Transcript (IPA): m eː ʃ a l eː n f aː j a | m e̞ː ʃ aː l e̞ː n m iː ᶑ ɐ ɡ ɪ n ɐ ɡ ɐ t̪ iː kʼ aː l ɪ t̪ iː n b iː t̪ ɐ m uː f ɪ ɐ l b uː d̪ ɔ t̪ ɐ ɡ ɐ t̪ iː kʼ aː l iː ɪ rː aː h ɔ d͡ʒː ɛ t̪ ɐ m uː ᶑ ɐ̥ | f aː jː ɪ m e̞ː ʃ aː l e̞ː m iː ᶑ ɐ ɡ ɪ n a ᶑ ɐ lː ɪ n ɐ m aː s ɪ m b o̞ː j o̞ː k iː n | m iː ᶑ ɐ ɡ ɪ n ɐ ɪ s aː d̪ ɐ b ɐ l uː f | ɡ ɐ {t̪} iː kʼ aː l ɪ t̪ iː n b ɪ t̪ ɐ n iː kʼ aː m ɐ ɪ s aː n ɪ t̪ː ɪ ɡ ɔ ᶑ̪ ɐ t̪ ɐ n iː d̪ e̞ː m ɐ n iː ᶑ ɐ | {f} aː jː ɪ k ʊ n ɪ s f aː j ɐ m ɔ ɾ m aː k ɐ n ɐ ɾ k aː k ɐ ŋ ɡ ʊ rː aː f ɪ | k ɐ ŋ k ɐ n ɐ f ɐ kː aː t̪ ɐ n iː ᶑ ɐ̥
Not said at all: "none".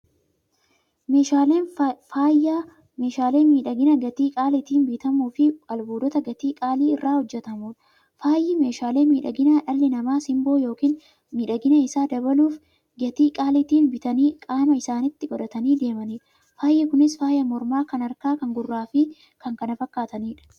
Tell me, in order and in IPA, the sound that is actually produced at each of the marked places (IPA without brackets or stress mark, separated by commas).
t̪, f